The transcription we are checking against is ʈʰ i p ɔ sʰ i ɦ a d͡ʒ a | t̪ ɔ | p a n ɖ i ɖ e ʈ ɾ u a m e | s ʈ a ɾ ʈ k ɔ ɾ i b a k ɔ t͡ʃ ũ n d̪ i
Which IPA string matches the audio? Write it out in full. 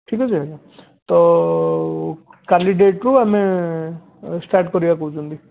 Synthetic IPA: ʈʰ i k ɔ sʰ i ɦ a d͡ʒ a | t̪ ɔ | k a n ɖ i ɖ e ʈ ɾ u a m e | s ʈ a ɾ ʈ k ɔ ɾ i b a k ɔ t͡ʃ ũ n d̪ i